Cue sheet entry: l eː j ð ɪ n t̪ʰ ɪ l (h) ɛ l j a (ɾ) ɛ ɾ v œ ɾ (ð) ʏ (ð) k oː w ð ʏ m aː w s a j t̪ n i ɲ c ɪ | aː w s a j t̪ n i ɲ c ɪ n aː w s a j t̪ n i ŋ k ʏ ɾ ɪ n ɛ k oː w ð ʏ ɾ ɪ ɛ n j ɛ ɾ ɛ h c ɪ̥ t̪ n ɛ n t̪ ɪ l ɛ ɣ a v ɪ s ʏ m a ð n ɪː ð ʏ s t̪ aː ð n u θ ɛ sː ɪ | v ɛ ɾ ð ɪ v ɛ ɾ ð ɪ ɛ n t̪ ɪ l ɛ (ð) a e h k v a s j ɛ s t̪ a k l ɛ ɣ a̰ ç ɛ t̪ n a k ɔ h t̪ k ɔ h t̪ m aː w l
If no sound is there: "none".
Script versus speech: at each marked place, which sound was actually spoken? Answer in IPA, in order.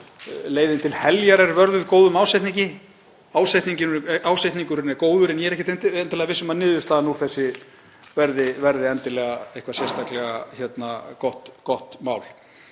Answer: h, ɾ, ð, ð, ɣ

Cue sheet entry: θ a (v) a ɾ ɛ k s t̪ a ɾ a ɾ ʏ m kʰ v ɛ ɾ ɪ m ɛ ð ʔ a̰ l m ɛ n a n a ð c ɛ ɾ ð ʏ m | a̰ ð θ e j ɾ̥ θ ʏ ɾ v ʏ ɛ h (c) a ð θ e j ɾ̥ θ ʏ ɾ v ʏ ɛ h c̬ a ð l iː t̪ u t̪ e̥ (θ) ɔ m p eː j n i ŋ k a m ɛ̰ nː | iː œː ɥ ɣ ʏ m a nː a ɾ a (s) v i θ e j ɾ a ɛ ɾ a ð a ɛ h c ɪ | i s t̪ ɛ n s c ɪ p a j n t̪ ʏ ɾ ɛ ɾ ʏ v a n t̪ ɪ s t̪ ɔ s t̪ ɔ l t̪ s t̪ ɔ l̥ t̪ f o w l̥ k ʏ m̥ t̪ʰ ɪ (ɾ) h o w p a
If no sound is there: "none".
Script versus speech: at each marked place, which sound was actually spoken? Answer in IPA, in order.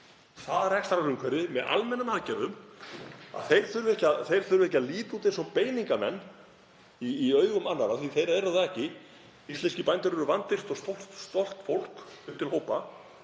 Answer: ð, c, s, θ, l

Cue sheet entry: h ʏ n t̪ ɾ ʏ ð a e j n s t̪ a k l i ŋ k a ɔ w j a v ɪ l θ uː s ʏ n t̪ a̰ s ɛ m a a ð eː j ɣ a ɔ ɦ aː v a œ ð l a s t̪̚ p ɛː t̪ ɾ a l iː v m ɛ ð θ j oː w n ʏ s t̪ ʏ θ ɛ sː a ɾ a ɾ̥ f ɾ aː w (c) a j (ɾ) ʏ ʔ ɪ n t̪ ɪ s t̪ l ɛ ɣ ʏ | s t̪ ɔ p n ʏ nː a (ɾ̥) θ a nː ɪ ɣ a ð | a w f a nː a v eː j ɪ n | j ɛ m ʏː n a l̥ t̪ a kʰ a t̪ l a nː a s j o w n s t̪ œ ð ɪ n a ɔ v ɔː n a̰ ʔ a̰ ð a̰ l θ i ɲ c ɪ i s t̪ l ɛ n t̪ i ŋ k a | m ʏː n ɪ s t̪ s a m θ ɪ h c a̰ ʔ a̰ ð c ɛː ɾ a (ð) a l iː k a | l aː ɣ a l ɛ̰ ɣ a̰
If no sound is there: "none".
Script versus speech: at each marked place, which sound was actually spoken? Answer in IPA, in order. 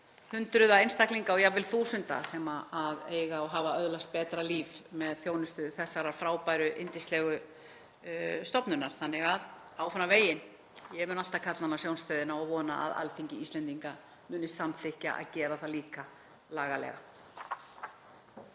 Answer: p, ɾ, ɾ̥, θ

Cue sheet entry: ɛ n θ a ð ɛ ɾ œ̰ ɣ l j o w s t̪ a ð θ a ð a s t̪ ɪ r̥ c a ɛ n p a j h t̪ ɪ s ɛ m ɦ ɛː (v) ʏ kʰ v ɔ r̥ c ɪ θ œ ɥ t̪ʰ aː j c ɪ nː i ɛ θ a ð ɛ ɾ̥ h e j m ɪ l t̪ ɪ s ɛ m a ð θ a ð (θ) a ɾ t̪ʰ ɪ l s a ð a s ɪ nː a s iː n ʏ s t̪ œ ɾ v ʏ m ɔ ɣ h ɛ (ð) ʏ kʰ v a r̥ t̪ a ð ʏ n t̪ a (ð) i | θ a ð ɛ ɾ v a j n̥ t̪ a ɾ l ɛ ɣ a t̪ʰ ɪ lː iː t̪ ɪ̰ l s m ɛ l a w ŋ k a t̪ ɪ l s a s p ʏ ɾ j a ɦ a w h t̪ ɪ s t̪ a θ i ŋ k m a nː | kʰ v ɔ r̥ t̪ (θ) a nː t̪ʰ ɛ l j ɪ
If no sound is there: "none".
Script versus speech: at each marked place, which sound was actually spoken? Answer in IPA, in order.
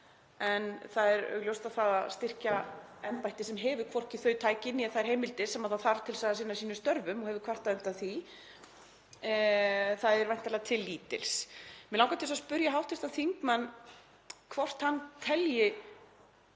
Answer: v, θ, v, θ, h

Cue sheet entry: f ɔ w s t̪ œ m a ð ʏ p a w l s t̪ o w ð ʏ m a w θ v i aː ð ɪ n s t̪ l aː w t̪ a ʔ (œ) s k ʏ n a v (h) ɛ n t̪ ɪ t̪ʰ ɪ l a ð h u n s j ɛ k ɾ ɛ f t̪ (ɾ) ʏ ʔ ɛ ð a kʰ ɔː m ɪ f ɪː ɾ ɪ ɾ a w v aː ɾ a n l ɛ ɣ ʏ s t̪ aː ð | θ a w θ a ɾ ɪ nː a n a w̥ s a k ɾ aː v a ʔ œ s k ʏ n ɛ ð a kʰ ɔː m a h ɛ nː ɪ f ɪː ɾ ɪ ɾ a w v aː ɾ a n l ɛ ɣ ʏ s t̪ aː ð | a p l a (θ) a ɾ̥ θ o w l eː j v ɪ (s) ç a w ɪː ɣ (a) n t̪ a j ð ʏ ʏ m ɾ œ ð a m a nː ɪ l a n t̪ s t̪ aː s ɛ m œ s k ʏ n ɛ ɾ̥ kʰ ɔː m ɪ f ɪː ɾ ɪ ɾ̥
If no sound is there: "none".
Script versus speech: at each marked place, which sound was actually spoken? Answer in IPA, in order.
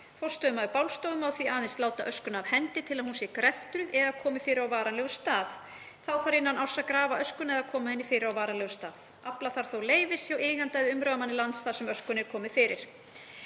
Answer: œ, h, ɾ, θ, s, a

